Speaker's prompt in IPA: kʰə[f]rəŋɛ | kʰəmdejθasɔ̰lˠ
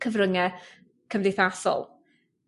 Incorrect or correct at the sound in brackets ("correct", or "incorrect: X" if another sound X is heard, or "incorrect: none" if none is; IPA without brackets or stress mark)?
incorrect: v